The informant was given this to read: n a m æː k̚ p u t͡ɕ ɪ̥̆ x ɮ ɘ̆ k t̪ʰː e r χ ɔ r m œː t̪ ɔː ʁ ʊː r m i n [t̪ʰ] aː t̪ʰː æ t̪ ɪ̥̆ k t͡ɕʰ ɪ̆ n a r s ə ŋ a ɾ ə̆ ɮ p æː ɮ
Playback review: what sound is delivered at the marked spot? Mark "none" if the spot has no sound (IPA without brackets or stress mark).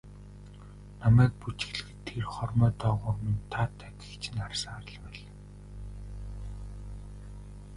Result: t̪ʰ